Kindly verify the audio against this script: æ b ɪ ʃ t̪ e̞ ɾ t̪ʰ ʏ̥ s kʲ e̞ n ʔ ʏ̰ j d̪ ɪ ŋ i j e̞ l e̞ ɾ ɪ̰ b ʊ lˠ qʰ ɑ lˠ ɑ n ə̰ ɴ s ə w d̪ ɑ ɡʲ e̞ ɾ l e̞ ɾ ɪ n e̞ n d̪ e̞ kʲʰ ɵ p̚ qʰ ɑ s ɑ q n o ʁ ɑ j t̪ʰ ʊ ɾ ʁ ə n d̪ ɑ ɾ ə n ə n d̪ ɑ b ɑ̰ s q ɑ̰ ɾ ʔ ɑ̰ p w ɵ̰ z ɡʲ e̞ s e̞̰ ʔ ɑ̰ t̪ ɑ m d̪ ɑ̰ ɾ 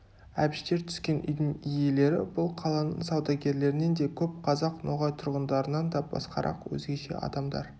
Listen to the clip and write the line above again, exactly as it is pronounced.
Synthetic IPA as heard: æ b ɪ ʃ t̪ e̞ ɾ t̪ʰ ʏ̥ s kʲ e̞ n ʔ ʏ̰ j d̪ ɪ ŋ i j e̞ l e̞ ɾ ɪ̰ b ʊ lˠ qʰ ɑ lˠ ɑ n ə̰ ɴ s ɑ w d̪ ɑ ɡʲ e̞ ɾ l e̞ ɾ ɪ n e̞ n d̪ e̞ kʲʰ ɵ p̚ qʰ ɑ z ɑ q n o ʁ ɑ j t̪ʰ ʊ ɾ ʁ ə n d̪ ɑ ɾ ə n ɑ n d̪ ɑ b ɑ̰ s q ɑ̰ ɾ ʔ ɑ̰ q w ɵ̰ z ɡʲ e̞ ʃ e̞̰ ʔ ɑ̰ d̪ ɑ m d̪ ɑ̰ ɾ